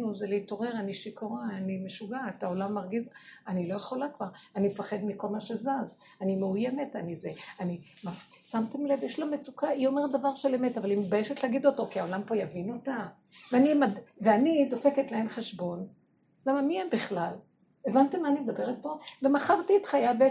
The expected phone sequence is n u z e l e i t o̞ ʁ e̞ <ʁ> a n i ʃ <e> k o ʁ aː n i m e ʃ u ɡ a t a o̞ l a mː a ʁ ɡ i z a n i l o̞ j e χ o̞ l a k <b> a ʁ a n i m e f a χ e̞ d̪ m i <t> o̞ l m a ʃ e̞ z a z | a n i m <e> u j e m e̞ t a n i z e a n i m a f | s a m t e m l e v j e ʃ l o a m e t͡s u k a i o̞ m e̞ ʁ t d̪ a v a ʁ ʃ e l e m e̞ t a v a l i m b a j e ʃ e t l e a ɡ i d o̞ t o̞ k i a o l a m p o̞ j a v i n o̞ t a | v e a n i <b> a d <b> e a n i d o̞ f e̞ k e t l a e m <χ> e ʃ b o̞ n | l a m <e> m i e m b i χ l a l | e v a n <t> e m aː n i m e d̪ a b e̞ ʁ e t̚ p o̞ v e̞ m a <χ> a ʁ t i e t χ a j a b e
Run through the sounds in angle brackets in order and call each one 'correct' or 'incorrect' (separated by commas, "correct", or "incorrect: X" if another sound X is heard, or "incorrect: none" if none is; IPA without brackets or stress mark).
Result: correct, incorrect: i, incorrect: v, incorrect: k, correct, incorrect: m, incorrect: v, correct, incorrect: a, correct, correct